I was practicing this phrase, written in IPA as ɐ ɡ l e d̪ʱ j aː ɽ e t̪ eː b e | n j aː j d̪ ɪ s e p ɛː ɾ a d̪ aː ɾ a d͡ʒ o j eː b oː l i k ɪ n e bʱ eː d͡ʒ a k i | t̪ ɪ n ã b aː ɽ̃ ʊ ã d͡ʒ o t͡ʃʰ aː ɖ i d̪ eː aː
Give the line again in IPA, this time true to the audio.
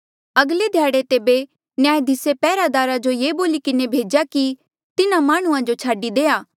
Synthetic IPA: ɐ ɡ l e d̪ʱ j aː ɽ e t̪ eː b e | n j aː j d̪ ɪ s e p ɛː ɾ a d̪ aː ɾ a d͡ʒ o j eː b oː l i k ɪ n e bʱ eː d͡ʒ a k i | t̪ ɪ n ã m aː ɽ̃ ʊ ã d͡ʒ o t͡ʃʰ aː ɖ i d̪ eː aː